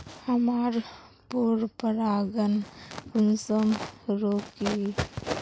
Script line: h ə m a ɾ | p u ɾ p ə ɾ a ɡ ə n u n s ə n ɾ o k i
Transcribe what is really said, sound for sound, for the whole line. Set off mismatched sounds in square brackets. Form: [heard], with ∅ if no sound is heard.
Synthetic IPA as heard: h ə m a ɾ | p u ɾ p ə ɾ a ɡ ə n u n s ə [m] ɾ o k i